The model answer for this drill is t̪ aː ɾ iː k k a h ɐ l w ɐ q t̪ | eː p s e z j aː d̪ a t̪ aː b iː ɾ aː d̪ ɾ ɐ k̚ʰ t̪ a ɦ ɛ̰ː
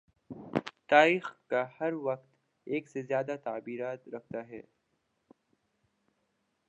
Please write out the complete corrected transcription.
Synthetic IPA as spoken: t̪ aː ɾ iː x k a h ɐ ɾ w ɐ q t̪ | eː k s e z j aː d̪ a t̪ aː b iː ɾ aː t̪ ɾ ɐ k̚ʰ t̪ a ɦ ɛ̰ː